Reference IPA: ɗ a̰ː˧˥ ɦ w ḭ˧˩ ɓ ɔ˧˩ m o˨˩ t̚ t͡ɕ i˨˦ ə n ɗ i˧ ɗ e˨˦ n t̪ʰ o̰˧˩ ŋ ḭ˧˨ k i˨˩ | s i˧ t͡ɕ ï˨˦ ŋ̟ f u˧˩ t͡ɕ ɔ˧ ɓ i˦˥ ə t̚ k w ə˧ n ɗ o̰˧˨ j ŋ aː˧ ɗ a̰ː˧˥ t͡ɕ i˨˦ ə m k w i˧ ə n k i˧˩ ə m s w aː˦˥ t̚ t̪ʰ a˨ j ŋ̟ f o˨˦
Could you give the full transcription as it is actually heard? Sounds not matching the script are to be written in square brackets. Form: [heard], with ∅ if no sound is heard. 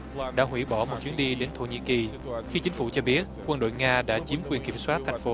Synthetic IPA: ɗ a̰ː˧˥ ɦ w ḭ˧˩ ɓ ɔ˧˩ m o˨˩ t̚ t͡ɕ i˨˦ ə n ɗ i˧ ɗ e˨˦ n t̪ʰ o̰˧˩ [ɲ] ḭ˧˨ k i˨˩ | [x] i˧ t͡ɕ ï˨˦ ŋ̟ f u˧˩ t͡ɕ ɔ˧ ɓ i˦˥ ə t̚ k w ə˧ n ɗ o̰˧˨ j ŋ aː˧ ɗ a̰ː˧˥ t͡ɕ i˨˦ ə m k w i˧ ə n k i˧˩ ə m s w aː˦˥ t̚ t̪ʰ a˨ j ŋ̟ f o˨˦